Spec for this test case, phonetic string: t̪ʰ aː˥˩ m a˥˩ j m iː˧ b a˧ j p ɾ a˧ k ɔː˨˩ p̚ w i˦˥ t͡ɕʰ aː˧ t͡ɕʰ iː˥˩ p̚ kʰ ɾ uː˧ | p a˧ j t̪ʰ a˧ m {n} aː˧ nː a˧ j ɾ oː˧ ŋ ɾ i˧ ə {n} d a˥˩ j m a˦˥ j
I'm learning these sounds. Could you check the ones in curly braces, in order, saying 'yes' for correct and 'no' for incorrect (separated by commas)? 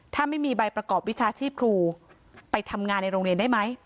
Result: no, yes